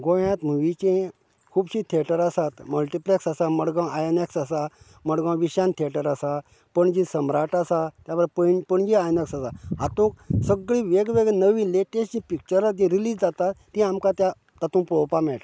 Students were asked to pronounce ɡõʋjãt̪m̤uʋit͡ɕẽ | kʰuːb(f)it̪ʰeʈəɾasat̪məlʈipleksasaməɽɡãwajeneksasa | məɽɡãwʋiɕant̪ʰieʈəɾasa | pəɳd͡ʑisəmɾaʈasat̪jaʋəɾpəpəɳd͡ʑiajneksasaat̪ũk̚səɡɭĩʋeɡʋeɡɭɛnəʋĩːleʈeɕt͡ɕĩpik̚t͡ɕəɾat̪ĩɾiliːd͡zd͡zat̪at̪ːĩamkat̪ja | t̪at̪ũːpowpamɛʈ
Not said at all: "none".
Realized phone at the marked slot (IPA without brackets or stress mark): ɕ